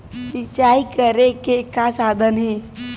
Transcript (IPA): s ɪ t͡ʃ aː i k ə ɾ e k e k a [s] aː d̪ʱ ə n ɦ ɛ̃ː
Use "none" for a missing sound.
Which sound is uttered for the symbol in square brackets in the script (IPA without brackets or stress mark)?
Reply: s